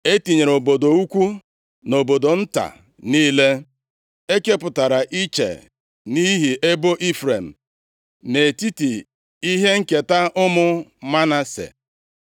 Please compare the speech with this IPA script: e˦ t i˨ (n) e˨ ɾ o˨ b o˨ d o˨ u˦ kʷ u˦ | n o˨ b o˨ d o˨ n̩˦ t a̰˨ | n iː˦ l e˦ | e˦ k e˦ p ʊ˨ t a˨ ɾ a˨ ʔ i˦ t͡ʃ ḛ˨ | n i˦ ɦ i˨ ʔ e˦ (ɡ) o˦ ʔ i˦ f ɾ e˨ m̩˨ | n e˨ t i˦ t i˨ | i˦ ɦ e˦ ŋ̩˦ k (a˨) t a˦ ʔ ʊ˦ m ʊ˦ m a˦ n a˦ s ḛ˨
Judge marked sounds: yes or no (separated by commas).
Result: no, no, no